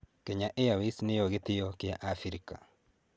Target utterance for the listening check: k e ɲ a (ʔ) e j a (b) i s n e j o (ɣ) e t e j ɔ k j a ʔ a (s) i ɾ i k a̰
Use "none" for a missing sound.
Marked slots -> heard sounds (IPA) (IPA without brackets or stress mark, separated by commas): ʔ, w, ɣ, f